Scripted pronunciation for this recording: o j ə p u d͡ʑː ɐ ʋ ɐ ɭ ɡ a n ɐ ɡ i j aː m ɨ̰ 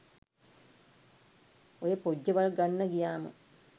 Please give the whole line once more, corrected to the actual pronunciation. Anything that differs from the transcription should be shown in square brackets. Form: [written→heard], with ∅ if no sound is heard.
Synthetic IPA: o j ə p [u→o] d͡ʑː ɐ ʋ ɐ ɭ ɡ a [n→nː] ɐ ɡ i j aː m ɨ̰